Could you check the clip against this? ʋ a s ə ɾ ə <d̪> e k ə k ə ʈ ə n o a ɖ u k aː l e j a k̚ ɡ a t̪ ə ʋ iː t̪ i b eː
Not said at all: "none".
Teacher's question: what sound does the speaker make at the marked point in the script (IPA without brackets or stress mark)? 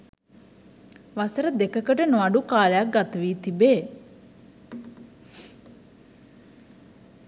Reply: d̪